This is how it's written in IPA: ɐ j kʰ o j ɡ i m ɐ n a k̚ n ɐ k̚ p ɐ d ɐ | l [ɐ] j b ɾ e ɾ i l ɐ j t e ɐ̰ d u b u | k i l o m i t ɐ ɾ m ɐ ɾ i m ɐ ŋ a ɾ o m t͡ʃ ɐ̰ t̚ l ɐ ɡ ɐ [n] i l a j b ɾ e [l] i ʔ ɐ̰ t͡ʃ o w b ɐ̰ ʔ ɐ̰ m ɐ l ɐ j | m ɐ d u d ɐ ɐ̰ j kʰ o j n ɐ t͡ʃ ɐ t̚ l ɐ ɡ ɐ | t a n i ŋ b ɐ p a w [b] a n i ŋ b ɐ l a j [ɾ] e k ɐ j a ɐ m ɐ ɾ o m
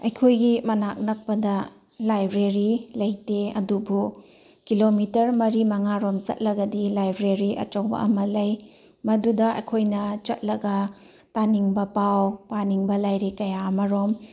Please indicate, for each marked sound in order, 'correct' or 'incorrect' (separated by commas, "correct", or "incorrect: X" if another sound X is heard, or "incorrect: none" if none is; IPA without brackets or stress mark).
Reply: incorrect: a, incorrect: d, incorrect: ɾ, incorrect: p, correct